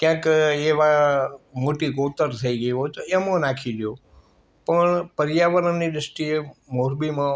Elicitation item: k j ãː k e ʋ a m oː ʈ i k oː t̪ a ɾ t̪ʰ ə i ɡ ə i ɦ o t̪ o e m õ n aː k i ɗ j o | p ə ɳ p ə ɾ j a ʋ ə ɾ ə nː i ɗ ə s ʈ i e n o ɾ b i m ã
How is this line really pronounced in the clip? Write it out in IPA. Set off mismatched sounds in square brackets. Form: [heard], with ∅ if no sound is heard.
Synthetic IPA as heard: k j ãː k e ʋ a m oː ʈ i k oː t̪ [ə] ɾ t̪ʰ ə i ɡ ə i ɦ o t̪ o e m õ n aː [kʰ] i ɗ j o | p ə ɳ p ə ɾ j a ʋ ə ɾ ə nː i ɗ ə s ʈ i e [m] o ɾ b i m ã

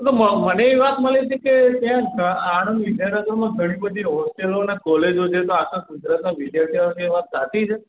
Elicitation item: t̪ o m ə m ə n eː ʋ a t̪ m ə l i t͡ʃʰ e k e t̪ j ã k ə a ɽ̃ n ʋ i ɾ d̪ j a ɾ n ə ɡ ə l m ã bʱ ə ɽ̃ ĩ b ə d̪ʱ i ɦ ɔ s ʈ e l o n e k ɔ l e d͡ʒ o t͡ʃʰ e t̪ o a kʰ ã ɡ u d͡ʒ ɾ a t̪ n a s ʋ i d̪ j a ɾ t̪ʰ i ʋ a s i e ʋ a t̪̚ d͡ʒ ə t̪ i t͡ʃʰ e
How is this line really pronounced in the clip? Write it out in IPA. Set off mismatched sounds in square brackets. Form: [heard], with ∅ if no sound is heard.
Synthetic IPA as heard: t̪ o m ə m ə n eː ʋ a t̪ m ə l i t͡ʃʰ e k e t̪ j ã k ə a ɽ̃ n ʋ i [∅] d̪ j a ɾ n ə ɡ ə [ɾ] m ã [ɡʱ] ə ɽ̃ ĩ b ə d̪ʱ i ɦ ɔ s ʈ e l o n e k ɔ l e d͡ʒ o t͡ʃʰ e t̪ o a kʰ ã ɡ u d͡ʒ ɾ a t̪ n a [∅] ʋ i d̪ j a ɾ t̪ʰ i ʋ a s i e ʋ a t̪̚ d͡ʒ [a] t̪ i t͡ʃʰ e

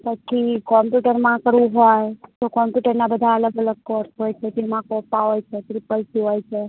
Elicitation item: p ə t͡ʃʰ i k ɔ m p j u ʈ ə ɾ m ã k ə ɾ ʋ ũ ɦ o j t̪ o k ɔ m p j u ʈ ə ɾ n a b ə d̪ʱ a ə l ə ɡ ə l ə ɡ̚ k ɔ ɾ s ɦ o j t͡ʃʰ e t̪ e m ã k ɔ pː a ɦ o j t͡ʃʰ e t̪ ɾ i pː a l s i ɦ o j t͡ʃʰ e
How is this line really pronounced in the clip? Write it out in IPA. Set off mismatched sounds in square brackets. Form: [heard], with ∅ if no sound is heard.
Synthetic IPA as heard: p ə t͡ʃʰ i k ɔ m p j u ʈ ə ɾ m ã k ə ɾ ʋ ũ ɦ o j t̪ o k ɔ m p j u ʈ ə ɾ n a b ə d̪ʱ a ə l ə ɡ ə l ə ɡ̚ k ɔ ɾ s ɦ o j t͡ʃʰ e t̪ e m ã k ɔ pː a ɦ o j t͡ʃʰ e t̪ ɾ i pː [ə] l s i ɦ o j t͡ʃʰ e

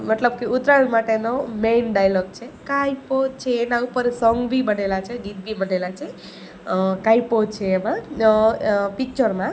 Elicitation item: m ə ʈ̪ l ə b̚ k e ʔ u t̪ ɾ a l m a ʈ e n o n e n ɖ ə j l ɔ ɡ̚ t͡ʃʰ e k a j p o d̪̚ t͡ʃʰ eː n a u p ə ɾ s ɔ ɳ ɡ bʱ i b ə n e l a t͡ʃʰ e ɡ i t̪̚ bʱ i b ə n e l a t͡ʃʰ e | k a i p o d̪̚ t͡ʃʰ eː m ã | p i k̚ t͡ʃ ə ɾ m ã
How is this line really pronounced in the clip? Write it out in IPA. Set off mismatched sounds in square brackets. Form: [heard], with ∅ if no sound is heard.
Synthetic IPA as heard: m ə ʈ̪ l ə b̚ k e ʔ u t̪ ɾ a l m a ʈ e n o [m] e n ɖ [a] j l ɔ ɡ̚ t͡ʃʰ e k a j p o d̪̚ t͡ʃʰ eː n a u p ə ɾ s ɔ [ŋ] ɡ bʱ i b ə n e l a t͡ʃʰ e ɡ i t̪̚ bʱ i b ə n e l a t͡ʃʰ e | k a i p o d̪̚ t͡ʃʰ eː m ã | p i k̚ t͡ʃ ə ɾ m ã

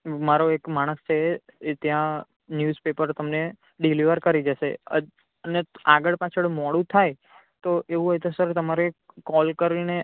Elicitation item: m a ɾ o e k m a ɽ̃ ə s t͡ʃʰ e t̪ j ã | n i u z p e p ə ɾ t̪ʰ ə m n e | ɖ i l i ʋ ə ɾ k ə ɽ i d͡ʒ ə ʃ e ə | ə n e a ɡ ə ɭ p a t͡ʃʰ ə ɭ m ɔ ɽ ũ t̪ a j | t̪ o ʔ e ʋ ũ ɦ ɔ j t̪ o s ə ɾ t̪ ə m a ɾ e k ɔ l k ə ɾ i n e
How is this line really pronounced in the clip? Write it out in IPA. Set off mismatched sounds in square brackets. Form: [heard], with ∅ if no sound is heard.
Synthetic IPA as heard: m a ɾ o e k m a ɽ̃ ə s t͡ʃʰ e t̪ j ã | n [j] u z p e p ə ɾ [t̪] ə m n e | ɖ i l i ʋ ə ɾ k ə [ɾ] i d͡ʒ ə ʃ e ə | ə n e a ɡ ə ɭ p a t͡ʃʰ ə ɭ m ɔ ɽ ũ [t̪ʰ] a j | t̪ o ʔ e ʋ ũ ɦ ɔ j t̪ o s ə ɾ t̪ ə m a ɾ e k ɔ l k ə ɾ i n e

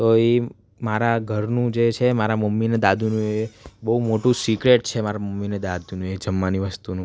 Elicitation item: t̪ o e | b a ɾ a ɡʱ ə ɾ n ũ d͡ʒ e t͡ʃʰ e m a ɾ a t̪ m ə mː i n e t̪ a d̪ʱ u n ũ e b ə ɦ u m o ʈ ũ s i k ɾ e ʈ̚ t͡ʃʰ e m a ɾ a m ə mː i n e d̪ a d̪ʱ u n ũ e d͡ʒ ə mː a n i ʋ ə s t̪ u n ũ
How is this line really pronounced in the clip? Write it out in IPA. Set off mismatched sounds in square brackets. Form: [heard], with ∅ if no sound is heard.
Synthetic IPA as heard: t̪ o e | [m] a ɾ a ɡʱ ə ɾ n ũ d͡ʒ e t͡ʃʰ e m a ɾ a [∅] m ə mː i n e [d̪] a d̪ʱ u n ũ e b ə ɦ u m o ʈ ũ s i k ɾ e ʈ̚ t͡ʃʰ e m a ɾ a m ə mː i n e d̪ a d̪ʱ u n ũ e d͡ʒ ə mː a n i ʋ ə s t̪ u n ũ

